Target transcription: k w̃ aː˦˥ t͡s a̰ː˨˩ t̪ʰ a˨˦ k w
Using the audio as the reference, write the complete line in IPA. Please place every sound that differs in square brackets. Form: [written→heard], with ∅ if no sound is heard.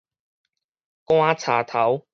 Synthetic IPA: k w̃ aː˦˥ [t͡s→t͡sʰ] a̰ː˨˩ t̪ʰ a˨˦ [k→∅] w